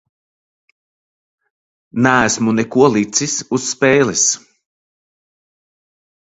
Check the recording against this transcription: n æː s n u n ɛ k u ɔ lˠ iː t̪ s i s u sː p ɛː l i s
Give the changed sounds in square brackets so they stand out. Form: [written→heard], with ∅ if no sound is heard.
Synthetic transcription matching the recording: n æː s [n→m] u n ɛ k u ɔ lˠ [iː→i] t̪ s i s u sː p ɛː l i s